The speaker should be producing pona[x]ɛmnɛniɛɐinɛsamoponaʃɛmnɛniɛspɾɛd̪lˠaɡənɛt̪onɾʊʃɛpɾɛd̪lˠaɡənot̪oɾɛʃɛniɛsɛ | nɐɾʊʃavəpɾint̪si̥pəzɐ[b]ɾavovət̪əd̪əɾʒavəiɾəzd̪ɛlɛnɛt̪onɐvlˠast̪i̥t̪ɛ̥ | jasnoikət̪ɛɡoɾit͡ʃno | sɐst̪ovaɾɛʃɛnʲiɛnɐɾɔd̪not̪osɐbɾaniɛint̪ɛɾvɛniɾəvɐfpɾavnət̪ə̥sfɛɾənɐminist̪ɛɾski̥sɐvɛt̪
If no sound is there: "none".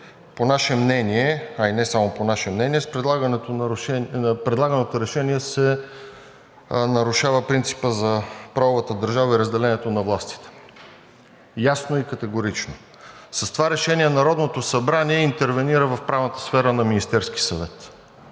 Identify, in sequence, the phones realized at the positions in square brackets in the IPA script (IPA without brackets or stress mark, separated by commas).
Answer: ʃ, p